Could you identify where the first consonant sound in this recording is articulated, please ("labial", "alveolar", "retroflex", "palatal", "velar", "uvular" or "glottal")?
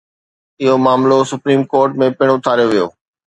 glottal